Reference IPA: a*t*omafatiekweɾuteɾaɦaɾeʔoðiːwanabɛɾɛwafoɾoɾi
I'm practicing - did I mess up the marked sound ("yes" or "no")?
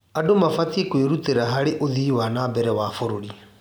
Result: yes